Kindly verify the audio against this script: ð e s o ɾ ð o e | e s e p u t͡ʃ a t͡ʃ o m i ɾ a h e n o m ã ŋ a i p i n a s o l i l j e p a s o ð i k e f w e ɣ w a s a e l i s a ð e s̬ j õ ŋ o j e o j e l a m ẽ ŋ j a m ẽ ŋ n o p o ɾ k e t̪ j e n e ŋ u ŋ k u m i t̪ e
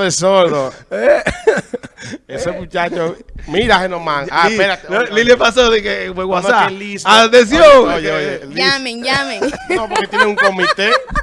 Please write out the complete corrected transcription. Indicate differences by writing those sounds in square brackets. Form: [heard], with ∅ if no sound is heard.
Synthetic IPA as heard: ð e s o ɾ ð o e | e s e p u t͡ʃ a t͡ʃ o m i ɾ a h e n o m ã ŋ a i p [e] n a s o l i l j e p a s o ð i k e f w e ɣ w a s a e l i s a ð e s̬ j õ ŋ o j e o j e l a m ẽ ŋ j a m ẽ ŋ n o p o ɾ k e t̪ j e n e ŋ u ŋ k [o] m i t̪ e